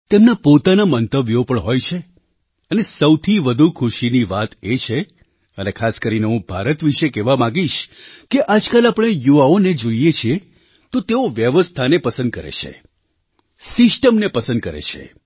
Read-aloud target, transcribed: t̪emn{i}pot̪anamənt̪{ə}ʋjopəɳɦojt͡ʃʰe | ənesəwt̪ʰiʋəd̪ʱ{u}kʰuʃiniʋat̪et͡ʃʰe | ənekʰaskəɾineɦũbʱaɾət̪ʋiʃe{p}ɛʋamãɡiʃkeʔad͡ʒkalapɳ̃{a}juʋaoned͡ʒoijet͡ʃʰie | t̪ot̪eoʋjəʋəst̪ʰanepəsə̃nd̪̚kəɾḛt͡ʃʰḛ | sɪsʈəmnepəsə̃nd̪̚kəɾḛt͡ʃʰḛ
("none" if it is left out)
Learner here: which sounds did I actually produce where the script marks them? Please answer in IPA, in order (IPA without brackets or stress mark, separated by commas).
a, ə, u, k, e